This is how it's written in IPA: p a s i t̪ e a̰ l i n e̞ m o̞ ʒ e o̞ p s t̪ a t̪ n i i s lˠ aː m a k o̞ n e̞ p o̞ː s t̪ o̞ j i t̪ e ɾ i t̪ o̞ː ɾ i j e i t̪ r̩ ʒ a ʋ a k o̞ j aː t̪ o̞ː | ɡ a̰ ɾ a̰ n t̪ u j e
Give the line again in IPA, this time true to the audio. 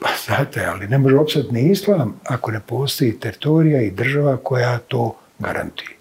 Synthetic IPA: p a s a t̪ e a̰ l i n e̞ m o̞ ʒ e o̞ p s t̪ a t̪ n i i s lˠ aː m a k o̞ n e̞ p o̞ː s t̪ o̞ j i t̪ e ɾ i t̪ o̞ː ɾ i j a i d̪ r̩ ʒ a ʋ a k o̞ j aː t̪ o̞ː | ɡ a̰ ɾ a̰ n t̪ u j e